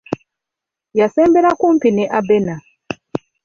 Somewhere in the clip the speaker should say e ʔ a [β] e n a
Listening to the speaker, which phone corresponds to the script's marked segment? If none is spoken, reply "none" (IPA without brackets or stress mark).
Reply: b